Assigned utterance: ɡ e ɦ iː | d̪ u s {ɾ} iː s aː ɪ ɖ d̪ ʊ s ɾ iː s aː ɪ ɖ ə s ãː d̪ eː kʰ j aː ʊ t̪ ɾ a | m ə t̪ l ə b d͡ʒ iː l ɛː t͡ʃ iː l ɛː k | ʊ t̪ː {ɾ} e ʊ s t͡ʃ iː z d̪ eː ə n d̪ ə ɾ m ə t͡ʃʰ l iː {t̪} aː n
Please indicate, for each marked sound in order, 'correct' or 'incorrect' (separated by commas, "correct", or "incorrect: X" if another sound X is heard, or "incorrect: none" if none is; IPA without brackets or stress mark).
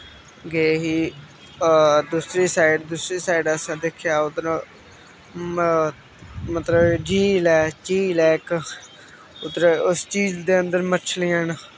correct, correct, incorrect: none